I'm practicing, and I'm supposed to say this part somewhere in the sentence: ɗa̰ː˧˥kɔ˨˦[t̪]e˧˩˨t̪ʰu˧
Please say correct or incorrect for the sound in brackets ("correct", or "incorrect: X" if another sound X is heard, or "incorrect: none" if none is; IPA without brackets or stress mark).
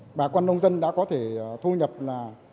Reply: incorrect: t̪ʰ